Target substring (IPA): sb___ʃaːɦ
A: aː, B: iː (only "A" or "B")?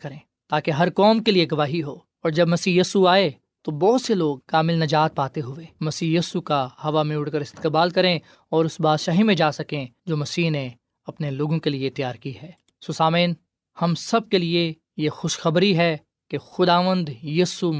A